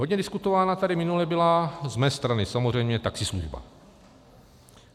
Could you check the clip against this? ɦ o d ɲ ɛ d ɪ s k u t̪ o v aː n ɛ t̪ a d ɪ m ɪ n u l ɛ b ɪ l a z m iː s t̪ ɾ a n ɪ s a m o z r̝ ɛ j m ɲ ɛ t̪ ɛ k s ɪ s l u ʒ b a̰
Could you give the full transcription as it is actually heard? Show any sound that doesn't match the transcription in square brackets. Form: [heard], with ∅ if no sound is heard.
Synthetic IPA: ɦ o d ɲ ɛ d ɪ s k u t̪ o v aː n [a] t̪ a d ɪ m ɪ n u l ɛ b ɪ l a z m [ɛː] s t̪ ɾ a n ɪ s a m o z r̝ ɛ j m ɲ ɛ t̪ [a] k s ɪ s l u ʒ b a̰